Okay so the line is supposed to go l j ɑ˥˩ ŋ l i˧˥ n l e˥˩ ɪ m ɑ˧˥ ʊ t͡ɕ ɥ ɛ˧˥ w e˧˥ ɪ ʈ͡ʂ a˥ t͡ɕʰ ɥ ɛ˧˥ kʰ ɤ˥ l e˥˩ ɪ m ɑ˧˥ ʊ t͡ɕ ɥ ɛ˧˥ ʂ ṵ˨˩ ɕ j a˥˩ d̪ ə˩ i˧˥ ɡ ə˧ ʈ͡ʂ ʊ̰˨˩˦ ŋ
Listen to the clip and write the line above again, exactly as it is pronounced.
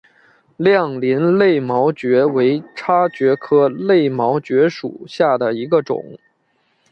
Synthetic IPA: l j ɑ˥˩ ŋ l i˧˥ n l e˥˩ ɪ m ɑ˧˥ ʊ t͡ɕ ɥ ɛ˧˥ w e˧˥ ɪ ʈ͡ʂʰ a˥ t͡ɕ ɥ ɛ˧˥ kʰ ɤ˥ l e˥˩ ɪ m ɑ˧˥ ʊ t͡ɕ ɥ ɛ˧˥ ʂ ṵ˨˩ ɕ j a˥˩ d̪ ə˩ i˧˥ ɡ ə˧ ʈ͡ʂ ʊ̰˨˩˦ ŋ